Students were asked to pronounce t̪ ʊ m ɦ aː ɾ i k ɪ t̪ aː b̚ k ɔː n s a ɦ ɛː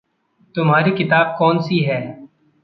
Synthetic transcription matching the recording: t̪ ʊ m ɦ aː ɾ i k ɪ t̪ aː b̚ k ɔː n s i ɦ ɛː